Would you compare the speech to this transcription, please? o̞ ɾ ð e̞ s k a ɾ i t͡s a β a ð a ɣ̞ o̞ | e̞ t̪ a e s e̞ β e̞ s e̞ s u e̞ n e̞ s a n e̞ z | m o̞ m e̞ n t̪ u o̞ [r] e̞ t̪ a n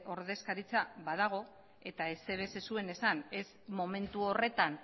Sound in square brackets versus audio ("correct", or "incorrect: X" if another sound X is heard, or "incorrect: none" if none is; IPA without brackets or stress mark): correct